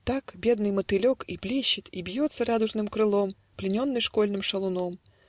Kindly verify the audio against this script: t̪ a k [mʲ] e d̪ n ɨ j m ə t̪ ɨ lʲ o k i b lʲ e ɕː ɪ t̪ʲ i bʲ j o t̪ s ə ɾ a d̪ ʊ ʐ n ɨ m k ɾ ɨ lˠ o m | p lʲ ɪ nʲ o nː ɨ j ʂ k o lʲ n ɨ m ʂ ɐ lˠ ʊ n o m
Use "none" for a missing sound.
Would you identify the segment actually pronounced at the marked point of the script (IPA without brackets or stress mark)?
bʲ